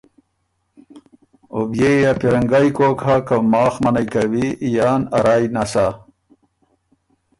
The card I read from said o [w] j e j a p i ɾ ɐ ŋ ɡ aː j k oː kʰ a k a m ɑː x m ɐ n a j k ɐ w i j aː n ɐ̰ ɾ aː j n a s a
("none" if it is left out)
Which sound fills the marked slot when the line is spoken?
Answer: b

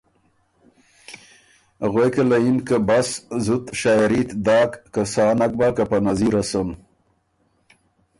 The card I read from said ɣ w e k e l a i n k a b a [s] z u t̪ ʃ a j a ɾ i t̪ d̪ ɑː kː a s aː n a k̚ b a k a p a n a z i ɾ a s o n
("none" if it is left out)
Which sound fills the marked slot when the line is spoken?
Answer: s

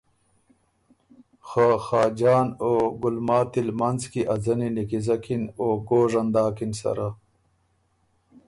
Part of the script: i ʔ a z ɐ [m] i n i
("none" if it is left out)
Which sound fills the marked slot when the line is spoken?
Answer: n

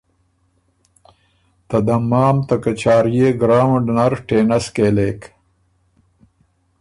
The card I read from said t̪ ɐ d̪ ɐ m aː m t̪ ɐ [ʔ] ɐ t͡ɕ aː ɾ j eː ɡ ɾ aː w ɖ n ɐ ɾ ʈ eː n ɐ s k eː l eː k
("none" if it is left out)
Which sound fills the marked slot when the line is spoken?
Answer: k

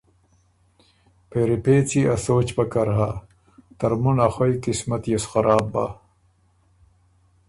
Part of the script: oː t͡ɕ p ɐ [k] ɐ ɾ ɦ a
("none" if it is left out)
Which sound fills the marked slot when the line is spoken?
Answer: k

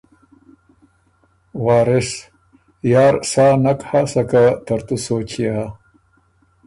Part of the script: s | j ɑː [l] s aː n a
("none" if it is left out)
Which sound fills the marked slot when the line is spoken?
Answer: ɾ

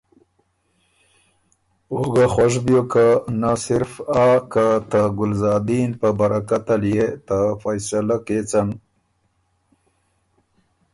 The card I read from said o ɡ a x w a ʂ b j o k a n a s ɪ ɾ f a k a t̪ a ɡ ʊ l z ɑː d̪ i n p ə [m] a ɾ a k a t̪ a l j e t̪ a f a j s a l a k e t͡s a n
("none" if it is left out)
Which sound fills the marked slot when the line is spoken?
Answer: b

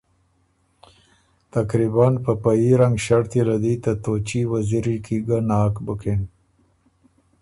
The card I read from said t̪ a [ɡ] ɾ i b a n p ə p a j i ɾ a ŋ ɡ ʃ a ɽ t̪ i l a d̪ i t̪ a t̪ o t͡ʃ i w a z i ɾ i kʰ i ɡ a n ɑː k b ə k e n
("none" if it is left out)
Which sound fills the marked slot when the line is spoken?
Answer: k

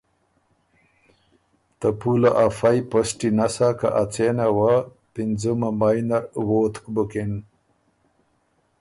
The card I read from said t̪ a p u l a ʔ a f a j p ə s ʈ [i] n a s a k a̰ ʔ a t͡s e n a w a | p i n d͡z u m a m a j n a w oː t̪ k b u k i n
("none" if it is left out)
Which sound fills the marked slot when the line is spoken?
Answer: i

